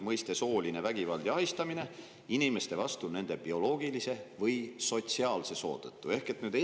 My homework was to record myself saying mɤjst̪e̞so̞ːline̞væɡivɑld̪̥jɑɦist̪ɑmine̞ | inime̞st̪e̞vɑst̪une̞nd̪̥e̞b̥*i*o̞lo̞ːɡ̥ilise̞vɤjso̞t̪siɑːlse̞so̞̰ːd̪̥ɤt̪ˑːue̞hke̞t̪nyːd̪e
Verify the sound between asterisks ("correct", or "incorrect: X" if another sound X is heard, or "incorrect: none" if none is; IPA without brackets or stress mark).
correct